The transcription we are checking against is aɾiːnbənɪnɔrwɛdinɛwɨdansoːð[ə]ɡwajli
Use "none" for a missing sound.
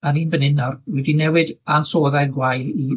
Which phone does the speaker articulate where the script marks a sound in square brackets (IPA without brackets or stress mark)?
a